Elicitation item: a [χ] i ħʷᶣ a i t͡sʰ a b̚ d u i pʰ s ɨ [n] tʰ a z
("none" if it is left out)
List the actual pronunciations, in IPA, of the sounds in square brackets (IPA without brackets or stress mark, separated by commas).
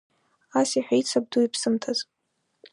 s, m